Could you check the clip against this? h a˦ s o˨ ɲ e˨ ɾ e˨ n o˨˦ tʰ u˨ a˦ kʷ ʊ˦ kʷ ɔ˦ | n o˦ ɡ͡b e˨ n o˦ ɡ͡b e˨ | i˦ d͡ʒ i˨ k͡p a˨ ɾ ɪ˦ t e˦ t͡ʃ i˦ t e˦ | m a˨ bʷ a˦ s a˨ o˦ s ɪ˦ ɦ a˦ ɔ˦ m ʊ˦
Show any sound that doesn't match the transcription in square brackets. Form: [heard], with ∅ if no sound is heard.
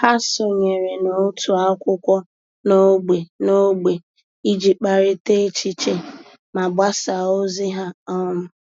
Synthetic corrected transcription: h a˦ s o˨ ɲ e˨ ɾ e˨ n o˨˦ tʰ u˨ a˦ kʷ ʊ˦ kʷ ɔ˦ | n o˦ ɡ͡b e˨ n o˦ ɡ͡b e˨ | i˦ d͡ʒ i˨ k͡p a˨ ɾ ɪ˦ t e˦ t͡ʃ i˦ [t͡ʃ] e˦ | m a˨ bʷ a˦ s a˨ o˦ [z] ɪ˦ ɦ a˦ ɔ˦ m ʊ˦